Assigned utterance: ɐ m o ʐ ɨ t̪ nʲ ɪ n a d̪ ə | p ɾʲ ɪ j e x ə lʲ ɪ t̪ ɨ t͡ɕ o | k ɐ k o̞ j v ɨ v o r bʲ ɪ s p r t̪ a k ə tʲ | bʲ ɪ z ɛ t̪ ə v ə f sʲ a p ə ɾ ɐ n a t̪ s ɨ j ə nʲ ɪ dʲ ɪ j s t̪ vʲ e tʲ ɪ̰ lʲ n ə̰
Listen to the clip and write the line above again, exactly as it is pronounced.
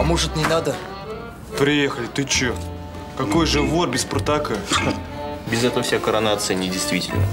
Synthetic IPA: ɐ m o ʐ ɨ t̪ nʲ ɪ n a d̪ ə | p ɾʲ ɪ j e x ə lʲ ɪ t̪ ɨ t͡ɕ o | k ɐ k o̞ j ʐ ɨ v o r bʲ ɪ s p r t̪ a k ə | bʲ ɪ z ɛ t̪ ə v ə f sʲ a k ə ɾ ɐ n a t̪ s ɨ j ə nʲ ɪ dʲ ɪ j s t̪ vʲ i tʲ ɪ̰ lʲ n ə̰